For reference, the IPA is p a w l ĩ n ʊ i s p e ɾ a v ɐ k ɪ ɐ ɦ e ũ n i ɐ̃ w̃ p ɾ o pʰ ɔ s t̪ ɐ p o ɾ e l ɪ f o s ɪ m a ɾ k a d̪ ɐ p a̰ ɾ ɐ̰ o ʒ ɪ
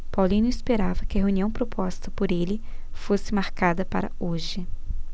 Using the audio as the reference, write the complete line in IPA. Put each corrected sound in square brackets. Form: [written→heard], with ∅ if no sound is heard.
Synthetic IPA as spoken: p a w l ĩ n ʊ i s p e ɾ a v ɐ k ɪ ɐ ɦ e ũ n i ɐ̃ w̃ p ɾ o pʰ ɔ s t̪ ɐ p o ɾ e l ɪ f o s ɪ m a ɾ k a d̪ ɐ p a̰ ɾ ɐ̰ o ʒ ɪ